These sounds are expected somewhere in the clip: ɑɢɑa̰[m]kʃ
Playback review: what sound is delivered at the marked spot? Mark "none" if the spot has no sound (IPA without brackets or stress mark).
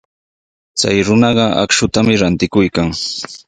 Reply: none